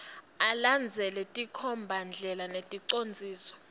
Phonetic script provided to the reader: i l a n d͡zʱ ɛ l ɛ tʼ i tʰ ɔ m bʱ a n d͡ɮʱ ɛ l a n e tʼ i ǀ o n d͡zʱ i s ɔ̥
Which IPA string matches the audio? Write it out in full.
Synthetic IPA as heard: a l a n d͡zʱ ɛ l ɛ tʼ i kʰ ɔ m bʱ a n d͡ɮʱ ɛ l a n e tʼ i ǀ o n d͡zʱ iː s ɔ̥